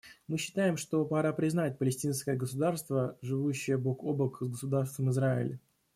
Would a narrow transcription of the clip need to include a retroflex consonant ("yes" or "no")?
yes